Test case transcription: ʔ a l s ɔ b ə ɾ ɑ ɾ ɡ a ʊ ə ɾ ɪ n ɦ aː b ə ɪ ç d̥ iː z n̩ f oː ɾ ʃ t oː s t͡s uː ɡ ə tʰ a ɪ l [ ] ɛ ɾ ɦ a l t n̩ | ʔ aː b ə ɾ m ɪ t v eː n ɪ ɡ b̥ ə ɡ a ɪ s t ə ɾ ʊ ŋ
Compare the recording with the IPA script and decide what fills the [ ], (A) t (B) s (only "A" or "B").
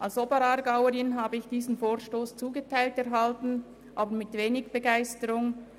A